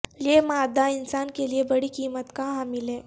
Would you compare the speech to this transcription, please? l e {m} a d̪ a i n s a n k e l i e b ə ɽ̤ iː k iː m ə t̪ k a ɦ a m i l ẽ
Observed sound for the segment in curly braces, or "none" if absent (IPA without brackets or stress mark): m